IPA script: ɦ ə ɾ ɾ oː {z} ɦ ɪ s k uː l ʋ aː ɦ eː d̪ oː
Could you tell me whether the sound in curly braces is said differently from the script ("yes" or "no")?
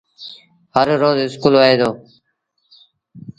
no